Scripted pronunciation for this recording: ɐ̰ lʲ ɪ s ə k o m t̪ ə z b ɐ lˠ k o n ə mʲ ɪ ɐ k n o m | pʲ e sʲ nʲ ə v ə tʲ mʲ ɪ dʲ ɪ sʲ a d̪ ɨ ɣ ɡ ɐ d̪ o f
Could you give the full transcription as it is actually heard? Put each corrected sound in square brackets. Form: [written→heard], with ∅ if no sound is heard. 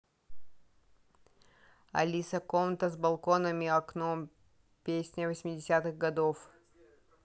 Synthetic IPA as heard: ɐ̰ lʲ [ɪ→i] s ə k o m t̪ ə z b ɐ lˠ k o n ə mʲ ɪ ɐ k n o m | pʲ e sʲ nʲ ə v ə [tʲ→sʲ] mʲ ɪ dʲ ɪ sʲ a [d̪→t̪] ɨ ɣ ɡ ɐ d̪ o f